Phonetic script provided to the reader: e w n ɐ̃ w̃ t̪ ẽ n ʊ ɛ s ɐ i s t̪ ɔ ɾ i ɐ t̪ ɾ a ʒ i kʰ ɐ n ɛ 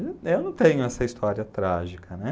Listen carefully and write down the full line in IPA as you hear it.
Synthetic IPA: e w n ɐ̃ w̃ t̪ ẽ ɲ ʊ ɛ s ɐ i s t̪ ɔ ɾ i ɐ t̪ ɾ a ʒ i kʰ ɐ n ɛ